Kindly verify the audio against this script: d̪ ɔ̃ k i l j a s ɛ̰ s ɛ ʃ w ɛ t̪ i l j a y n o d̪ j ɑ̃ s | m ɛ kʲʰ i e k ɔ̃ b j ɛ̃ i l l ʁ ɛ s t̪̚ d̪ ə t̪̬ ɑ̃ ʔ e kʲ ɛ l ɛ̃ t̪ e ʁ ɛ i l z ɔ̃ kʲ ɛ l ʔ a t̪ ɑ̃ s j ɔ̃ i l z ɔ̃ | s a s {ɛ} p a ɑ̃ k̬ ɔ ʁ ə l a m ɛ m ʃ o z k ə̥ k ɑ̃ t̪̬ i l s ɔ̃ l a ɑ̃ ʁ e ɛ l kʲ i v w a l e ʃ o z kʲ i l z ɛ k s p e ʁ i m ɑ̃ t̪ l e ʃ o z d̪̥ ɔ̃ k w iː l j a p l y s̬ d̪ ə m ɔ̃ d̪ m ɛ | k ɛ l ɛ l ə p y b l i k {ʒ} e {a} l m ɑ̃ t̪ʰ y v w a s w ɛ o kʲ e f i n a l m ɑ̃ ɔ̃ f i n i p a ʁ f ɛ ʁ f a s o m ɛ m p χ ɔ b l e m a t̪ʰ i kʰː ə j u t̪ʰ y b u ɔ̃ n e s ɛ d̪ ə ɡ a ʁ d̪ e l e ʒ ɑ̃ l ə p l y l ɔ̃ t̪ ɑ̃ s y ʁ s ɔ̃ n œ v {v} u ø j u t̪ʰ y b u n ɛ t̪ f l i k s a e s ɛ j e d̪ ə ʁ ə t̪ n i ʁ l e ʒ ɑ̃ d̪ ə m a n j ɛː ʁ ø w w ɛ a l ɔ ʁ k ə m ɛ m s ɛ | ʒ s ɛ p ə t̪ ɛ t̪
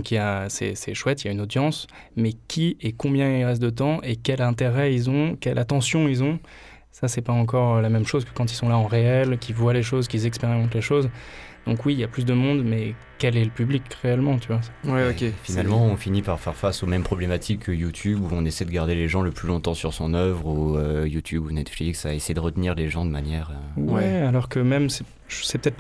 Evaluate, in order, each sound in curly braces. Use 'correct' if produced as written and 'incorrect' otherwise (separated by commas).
correct, incorrect, incorrect, incorrect